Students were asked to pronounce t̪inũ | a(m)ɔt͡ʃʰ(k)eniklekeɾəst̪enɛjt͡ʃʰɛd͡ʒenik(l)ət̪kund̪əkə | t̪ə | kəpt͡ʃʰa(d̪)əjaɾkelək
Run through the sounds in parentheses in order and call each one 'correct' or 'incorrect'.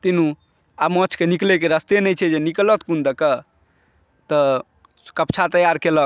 correct, correct, correct, incorrect: t̪

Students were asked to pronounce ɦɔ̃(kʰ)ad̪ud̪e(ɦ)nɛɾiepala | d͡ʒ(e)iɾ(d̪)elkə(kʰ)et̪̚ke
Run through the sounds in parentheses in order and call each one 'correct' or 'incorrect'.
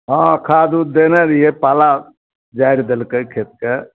correct, incorrect: none, incorrect: a, correct, correct

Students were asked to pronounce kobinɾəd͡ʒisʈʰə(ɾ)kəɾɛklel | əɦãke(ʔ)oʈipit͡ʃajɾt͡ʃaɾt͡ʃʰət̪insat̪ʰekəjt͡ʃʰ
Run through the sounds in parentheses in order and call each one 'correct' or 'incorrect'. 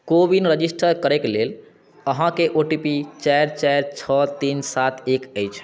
correct, correct

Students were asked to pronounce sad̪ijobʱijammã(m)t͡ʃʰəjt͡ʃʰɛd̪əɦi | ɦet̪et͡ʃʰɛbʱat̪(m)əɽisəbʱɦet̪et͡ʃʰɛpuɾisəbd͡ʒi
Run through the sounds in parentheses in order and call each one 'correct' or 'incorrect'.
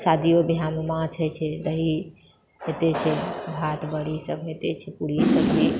incorrect: none, incorrect: b

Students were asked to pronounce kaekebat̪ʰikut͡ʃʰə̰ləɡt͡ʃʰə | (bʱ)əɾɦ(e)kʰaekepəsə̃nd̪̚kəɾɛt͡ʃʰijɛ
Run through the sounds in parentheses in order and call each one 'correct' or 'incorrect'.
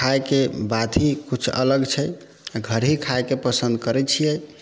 incorrect: ɡʱ, incorrect: i

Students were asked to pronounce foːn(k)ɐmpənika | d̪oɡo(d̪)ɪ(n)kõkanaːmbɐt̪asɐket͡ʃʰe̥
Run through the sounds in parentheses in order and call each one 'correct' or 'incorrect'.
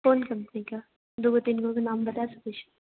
correct, incorrect: t̪, correct

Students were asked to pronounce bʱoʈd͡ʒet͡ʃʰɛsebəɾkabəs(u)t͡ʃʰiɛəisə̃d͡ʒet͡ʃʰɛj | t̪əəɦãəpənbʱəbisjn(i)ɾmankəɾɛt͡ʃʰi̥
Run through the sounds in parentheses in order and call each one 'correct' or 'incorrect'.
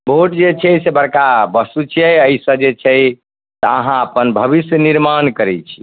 correct, correct

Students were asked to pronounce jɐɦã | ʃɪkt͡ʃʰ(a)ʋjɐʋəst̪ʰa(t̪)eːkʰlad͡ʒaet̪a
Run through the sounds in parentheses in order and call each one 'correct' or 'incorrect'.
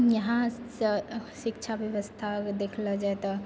correct, incorrect: d̪

